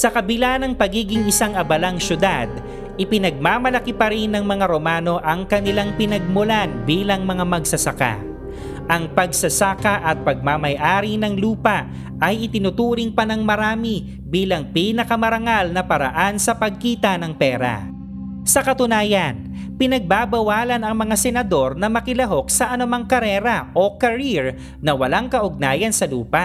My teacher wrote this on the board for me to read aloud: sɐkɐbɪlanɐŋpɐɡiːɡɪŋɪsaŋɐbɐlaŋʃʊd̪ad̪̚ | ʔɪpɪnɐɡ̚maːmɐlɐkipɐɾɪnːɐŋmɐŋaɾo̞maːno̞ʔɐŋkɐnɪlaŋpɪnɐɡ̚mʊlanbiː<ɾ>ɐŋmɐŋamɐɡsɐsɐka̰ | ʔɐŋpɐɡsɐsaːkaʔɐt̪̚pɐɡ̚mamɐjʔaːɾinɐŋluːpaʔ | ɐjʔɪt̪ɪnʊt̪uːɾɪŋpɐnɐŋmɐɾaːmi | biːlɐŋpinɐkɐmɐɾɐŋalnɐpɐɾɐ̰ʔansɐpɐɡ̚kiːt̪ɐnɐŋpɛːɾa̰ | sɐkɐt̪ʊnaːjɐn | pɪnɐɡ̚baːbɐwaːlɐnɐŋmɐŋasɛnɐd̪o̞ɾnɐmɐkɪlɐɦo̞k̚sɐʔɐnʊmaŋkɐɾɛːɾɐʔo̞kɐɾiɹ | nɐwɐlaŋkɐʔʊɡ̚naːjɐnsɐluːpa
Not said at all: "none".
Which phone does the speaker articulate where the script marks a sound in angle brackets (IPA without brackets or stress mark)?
l